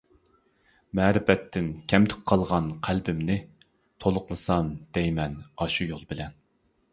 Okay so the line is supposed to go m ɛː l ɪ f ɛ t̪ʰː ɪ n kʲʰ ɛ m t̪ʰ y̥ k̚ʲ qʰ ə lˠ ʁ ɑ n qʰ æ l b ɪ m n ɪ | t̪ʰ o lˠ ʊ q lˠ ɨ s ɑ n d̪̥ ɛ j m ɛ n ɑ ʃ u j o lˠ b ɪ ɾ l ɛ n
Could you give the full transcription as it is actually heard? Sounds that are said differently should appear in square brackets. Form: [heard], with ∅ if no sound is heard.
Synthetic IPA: m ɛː [ɾ] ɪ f ɛ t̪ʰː ɪ n kʲʰ ɛ m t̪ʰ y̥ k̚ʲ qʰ [ɑ] lˠ ʁ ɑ n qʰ æ l b ɪ m n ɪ | t̪ʰ o lˠ ʊ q lˠ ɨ s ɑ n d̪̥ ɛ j m ɛ n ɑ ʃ u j o lˠ b ɪ [∅] l ɛ n